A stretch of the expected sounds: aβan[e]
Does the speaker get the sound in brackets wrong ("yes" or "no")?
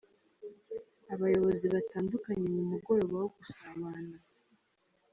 yes